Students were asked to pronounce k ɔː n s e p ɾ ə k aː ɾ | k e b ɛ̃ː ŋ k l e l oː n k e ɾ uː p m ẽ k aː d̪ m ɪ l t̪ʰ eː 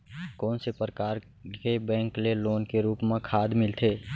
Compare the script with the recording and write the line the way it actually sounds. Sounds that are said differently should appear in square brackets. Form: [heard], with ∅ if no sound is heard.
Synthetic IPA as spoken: k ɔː n s e p ɾ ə k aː ɾ | k e b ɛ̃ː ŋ k l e l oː n k e ɾ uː p m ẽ [kʰ] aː d̪ m ɪ l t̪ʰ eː